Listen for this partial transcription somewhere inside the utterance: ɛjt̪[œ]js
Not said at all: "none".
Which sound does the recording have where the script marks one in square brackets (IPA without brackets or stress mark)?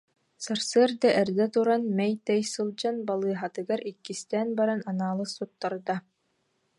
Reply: ɛ